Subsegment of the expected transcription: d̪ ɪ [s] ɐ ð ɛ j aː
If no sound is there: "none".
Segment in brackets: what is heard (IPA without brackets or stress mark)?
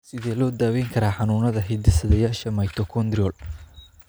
s